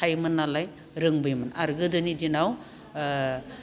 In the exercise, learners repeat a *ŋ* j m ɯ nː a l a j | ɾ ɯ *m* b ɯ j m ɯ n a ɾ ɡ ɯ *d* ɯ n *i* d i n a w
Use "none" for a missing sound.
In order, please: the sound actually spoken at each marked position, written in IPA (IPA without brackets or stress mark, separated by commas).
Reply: none, ŋ, d, i